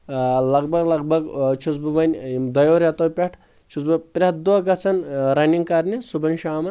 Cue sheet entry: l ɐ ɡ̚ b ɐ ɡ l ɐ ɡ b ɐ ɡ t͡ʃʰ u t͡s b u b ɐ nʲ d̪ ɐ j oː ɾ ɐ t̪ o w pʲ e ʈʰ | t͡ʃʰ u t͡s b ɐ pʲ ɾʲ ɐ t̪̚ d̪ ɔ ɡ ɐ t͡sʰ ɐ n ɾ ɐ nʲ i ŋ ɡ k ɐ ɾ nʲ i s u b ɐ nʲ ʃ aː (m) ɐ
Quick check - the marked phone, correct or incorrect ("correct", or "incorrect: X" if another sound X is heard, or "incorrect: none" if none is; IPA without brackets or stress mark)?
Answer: correct